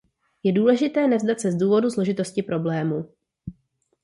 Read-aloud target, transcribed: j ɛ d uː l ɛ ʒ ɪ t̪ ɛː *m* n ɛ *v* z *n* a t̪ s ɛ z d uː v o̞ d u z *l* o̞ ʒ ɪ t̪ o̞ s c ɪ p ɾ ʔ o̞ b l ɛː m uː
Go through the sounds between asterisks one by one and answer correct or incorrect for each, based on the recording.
incorrect, correct, incorrect, correct

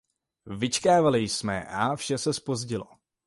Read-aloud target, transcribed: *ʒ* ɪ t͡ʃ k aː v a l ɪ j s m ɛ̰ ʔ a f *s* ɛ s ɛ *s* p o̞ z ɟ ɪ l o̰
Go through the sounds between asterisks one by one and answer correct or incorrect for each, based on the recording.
incorrect, incorrect, correct

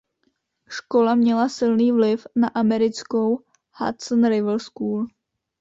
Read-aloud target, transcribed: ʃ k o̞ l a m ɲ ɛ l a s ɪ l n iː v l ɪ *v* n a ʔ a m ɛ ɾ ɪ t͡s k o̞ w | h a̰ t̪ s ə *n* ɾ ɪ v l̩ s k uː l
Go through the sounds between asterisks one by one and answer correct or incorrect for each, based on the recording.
incorrect, correct

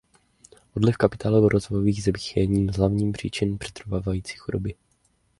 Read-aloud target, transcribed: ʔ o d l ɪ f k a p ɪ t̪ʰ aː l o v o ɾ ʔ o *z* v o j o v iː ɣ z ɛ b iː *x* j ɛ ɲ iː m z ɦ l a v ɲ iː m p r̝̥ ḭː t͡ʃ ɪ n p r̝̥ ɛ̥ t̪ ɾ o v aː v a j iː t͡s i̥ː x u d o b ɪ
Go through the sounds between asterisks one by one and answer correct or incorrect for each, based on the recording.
correct, correct

